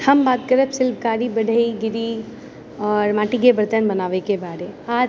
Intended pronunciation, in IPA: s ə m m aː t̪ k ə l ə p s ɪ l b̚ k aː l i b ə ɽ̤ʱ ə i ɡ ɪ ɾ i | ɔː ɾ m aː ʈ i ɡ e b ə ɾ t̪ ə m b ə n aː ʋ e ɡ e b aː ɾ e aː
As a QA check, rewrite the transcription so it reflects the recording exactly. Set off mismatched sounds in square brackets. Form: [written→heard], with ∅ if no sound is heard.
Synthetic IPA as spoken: [s→h] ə m [m→b] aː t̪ k ə [l→ɾ] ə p s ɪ l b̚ k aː [l→ɾ] i b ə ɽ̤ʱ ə i ɡ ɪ ɾ i | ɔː ɾ m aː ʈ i ɡ e b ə ɾ t̪ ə [m→n] b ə n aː ʋ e [ɡ→k] e b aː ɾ e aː